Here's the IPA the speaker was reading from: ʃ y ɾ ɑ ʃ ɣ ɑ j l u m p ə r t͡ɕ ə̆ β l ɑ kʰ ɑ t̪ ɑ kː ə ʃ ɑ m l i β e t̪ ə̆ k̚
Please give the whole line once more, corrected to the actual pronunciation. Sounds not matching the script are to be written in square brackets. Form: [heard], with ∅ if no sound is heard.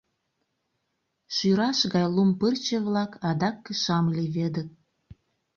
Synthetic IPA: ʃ y ɾ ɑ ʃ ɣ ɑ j l u m p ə r t͡ɕ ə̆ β l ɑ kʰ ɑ [d̪] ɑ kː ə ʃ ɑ m l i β e [d̪] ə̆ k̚